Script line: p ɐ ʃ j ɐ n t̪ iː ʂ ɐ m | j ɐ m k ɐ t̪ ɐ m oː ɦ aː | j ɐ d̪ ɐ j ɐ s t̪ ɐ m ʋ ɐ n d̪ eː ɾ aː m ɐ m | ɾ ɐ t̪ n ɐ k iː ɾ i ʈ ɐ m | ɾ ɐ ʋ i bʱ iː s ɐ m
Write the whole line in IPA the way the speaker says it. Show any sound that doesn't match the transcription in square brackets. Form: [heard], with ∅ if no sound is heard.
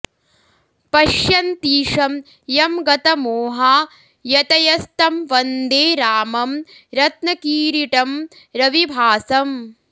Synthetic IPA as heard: p ɐ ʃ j ɐ n t̪ iː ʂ ɐ m | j ɐ m [ɡ] ɐ t̪ ɐ m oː ɦ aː | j ɐ [t̪] ɐ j ɐ s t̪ ɐ m ʋ ɐ n d̪ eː ɾ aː m ɐ m | ɾ ɐ t̪ n ɐ k iː ɾ i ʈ ɐ m | ɾ ɐ ʋ i bʱ [aː] s ɐ m